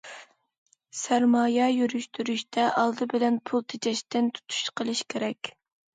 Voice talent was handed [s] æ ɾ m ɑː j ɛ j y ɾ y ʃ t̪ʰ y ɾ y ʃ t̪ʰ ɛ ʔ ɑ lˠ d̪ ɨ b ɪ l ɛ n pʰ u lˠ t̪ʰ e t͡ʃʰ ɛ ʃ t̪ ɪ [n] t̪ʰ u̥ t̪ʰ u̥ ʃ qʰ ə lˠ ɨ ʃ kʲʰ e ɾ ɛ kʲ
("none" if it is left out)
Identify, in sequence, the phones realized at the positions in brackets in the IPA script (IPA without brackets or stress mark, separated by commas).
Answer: s, n